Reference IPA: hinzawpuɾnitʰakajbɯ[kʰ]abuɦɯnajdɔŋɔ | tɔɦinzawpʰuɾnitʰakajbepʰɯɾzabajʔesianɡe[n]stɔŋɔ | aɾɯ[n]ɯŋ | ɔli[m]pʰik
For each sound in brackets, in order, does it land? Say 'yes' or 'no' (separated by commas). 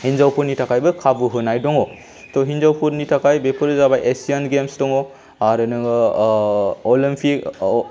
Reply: yes, no, yes, yes